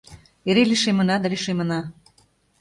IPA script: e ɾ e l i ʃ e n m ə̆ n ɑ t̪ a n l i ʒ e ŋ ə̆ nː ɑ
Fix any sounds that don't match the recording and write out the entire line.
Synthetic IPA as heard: e ɾ e l i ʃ e m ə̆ n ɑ d̪ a l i ʃ e m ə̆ n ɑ